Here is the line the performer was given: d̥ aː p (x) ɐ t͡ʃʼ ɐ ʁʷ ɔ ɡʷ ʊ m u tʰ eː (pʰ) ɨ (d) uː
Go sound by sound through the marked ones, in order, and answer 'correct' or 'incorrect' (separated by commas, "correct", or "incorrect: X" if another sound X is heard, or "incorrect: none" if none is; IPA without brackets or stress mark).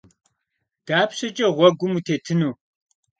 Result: incorrect: ɕ, incorrect: tʰ, incorrect: n